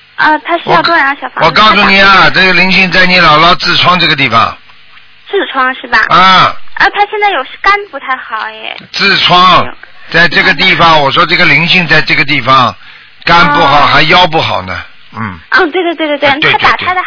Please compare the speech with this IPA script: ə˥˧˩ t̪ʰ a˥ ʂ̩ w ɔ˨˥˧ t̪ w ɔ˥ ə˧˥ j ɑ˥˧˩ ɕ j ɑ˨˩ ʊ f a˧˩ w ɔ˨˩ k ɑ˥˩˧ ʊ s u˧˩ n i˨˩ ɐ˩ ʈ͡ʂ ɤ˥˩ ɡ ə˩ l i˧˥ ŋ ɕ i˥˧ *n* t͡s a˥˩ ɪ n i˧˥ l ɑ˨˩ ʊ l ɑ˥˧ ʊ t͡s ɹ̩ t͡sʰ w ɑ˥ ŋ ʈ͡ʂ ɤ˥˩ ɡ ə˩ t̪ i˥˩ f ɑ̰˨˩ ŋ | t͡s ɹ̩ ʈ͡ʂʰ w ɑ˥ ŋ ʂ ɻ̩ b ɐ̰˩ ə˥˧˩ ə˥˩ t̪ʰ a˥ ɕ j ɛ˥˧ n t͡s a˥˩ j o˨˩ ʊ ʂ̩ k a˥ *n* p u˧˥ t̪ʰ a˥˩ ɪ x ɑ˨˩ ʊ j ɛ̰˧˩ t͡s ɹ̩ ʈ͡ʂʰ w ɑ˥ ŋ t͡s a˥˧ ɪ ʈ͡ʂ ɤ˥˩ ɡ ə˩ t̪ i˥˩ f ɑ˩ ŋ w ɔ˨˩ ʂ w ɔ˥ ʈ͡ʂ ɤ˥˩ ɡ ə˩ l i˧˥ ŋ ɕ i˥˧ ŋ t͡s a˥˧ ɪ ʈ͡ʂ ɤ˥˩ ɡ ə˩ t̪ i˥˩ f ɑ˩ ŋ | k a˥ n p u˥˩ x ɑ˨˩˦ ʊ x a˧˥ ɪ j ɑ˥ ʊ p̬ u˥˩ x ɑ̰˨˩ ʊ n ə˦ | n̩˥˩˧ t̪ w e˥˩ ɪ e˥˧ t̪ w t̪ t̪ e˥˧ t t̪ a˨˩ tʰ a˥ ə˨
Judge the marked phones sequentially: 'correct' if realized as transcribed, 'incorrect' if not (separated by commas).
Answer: incorrect, correct